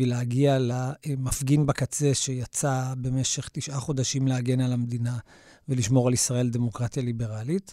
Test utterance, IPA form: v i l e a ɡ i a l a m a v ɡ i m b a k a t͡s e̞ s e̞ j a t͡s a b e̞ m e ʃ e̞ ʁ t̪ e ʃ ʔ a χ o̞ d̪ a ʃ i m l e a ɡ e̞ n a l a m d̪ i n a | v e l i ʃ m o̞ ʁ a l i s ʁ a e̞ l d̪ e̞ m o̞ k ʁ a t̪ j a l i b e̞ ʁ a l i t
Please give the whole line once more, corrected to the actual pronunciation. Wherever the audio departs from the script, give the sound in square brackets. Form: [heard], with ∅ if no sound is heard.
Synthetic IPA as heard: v i l e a ɡ i a l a m a [f] ɡ i [n] b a k a t͡s e̞ [ʃ] e̞ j a t͡s a b e̞ m e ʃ e̞ [χ] t̪ [i] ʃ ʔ a χ o̞ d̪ a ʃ i m l e a ɡ e̞ n a l a m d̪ i n a | v e l i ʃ m o̞ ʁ a l i s ʁ a e̞ l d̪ e̞ m o̞ k ʁ a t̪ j a l i b e̞ ʁ a l i t